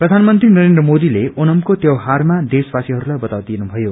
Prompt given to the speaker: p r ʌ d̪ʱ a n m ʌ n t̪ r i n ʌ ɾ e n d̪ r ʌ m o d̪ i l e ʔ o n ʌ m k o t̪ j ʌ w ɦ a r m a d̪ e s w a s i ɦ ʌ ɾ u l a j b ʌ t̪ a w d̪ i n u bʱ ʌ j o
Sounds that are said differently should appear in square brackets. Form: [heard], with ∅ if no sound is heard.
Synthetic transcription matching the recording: p r ʌ d̪ʱ a n m ʌ n t̪ r i n ʌ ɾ e n d̪ r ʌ m o d̪ i l e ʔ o n ʌ m k o t̪ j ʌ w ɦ a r m a d̪ e s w a s i ɦ ʌ ɾ u l a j b ʌ t̪ a w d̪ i n u bʱ ʌ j o